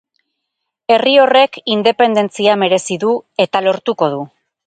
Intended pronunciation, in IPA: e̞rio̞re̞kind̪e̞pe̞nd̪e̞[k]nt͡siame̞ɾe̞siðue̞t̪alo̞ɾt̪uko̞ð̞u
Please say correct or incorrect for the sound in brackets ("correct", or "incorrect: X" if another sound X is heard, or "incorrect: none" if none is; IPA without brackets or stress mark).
incorrect: none